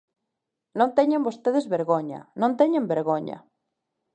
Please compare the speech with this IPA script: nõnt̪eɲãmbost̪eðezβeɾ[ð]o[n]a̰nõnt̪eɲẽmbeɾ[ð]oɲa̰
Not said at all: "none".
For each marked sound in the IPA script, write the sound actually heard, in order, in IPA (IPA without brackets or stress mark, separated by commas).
ɣ, ɲ, ɣ